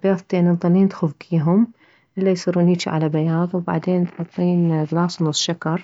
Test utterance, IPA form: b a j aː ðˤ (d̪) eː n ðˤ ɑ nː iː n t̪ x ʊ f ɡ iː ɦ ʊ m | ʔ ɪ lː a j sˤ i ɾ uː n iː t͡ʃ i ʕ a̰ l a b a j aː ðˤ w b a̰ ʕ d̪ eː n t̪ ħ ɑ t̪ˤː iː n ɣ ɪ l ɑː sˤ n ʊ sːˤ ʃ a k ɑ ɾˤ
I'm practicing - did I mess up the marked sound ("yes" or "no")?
yes